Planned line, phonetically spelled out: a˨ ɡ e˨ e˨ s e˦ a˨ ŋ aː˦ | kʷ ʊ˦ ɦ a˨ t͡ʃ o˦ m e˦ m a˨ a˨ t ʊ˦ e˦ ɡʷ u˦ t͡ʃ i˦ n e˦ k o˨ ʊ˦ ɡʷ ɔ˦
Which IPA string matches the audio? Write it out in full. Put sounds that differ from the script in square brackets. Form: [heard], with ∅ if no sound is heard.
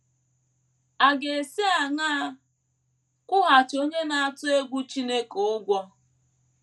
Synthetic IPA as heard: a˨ ɡ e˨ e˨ s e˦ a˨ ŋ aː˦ | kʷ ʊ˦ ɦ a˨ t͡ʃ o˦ [ɲ] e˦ [n] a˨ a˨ t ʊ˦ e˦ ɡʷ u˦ t͡ʃ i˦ n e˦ k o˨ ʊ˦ ɡʷ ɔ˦